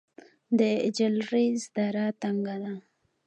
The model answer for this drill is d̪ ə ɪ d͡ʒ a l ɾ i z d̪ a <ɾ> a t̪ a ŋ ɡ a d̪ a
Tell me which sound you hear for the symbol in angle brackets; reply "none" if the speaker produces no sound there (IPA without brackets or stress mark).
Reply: ɾ